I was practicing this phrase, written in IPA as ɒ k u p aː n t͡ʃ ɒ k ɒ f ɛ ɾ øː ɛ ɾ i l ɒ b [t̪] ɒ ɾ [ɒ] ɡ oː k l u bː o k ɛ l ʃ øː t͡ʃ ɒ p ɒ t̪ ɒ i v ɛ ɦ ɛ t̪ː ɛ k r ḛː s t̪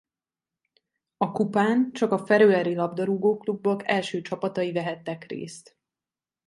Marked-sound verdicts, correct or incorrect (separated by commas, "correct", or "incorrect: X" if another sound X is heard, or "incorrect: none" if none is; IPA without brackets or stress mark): incorrect: d̪, incorrect: u